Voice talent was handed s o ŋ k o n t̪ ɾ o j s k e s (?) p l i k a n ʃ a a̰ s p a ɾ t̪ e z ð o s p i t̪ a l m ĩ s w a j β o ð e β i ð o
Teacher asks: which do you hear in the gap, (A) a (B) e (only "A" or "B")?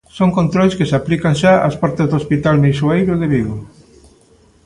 A